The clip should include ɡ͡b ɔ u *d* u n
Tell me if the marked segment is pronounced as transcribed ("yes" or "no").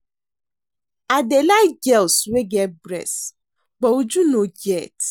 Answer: no